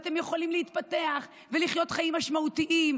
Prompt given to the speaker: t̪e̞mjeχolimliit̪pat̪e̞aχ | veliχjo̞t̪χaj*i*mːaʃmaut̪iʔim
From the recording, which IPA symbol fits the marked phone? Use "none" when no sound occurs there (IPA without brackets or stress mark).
i